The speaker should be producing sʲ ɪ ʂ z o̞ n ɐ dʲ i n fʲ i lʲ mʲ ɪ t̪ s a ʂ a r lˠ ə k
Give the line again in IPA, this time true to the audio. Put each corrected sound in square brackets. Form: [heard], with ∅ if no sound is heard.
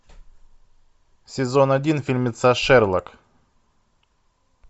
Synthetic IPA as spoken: sʲ ɪ [∅] z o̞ n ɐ dʲ i n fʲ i lʲ mʲ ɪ t̪ s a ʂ [ɛ] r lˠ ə k